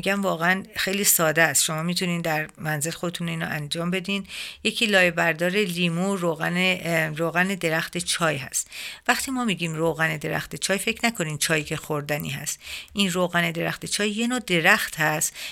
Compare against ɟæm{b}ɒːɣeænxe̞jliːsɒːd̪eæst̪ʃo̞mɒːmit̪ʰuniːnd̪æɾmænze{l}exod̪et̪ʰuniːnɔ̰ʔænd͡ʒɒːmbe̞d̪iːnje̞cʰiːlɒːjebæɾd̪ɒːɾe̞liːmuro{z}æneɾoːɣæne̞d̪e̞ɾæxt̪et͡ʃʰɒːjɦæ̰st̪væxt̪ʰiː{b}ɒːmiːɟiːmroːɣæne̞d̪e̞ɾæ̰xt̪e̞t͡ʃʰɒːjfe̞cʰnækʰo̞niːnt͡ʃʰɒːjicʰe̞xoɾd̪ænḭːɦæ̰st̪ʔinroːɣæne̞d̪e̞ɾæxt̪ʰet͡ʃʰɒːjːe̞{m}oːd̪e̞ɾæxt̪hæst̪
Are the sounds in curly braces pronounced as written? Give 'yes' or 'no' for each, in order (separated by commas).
no, yes, no, no, no